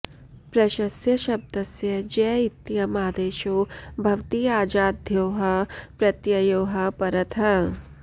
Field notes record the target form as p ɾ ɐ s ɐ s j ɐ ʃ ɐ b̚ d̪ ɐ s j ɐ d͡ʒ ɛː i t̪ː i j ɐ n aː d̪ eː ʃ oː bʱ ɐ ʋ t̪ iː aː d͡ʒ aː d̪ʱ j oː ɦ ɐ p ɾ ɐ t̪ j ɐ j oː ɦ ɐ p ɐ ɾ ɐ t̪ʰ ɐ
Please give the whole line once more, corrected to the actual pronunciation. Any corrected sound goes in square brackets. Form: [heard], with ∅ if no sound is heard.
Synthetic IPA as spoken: p ɾ ɐ [ʃ] ɐ s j ɐ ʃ ɐ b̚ d̪ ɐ s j ɐ d͡ʒ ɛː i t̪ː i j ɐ [m] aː d̪ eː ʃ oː bʱ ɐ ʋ t̪ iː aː d͡ʒ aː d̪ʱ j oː ɦ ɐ p ɾ ɐ t̪ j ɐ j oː ɦ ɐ p ɐ ɾ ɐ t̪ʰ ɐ